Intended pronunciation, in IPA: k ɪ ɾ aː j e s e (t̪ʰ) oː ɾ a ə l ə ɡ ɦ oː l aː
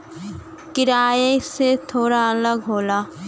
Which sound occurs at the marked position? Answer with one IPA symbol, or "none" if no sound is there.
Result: t̪ʰ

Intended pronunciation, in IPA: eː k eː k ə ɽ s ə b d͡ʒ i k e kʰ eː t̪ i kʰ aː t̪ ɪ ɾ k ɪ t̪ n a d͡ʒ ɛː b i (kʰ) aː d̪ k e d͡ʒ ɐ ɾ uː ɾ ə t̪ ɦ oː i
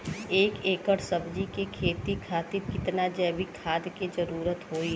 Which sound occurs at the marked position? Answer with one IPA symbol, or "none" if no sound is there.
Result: kʰ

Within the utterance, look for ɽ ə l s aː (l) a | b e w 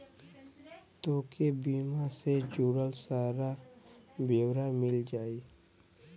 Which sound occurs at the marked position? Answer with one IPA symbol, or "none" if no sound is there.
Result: ɾ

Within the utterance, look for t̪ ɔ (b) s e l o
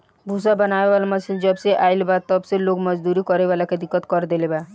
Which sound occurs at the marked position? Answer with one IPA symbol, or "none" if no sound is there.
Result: b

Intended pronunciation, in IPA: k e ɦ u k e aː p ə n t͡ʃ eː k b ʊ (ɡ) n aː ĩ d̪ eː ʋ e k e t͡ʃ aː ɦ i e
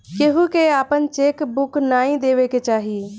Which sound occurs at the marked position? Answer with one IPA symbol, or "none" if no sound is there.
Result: k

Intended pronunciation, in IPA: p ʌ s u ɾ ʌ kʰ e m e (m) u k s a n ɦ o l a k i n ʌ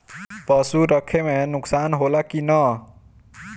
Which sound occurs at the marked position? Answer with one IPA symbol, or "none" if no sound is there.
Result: n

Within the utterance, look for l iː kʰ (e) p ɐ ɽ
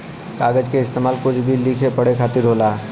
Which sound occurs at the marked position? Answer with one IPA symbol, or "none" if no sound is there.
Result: e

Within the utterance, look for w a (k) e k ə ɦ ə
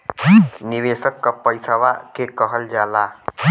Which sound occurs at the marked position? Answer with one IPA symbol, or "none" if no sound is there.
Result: k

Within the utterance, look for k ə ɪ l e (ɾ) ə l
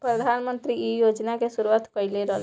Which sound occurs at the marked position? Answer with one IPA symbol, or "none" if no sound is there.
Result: ɾ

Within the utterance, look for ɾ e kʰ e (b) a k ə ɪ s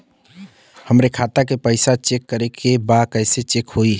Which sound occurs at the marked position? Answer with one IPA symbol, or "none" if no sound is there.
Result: b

